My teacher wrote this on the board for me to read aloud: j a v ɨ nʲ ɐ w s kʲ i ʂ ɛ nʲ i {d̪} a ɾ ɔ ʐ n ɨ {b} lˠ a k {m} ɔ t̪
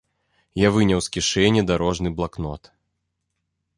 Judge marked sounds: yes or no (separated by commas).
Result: yes, yes, no